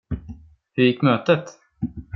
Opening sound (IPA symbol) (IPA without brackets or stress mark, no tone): h